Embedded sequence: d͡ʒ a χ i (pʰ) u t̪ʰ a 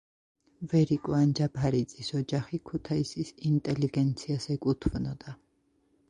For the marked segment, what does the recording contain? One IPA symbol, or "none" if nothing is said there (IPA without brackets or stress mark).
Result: kʰ